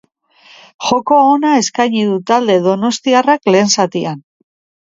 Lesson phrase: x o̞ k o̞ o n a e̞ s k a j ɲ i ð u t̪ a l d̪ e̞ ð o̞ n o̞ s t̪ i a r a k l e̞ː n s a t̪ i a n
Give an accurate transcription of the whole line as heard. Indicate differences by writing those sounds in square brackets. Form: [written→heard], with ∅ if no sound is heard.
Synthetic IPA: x o̞ k o̞ o n a e̞ s k a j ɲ i ð u t̪ a l d̪ e̞ ð o̞ n o̞ s t̪ i a r a k l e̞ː n s a t̪ i a n